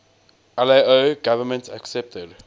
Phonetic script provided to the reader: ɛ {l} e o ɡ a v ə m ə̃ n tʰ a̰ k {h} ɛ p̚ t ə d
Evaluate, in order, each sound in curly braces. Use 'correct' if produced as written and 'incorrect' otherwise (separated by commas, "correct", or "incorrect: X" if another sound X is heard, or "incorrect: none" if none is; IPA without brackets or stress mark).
correct, incorrect: s